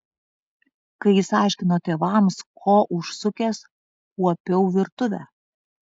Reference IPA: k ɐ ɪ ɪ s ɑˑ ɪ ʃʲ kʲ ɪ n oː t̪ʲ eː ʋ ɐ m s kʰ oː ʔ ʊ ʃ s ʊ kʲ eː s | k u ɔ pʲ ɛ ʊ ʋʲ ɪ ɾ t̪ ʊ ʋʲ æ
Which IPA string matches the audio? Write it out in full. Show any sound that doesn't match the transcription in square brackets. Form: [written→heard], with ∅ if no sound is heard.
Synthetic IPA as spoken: k ɐ ɪ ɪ s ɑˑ ɪ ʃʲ kʲ ɪ n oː t̪ʲ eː ʋ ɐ m s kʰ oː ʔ ʊ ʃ s ʊ kʲ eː s | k u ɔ pʲ ɛ ʊ ʋʲ ɪ ɾ t̪ ʊ ʋʲ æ